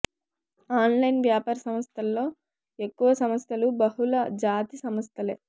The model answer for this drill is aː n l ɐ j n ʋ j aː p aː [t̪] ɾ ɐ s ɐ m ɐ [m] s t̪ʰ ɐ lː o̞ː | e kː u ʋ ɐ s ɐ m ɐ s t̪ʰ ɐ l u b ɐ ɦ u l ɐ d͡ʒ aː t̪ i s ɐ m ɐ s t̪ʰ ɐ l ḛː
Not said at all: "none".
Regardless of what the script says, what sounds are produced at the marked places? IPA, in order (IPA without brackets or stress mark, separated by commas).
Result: none, none